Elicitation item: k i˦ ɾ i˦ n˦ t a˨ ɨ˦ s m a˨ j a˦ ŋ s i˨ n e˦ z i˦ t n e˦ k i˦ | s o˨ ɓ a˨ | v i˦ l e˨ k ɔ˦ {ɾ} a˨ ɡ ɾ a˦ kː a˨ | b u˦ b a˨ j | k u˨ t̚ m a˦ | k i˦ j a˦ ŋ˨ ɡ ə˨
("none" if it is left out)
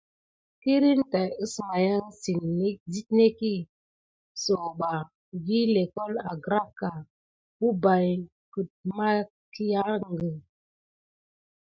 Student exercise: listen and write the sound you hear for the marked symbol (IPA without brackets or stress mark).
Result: l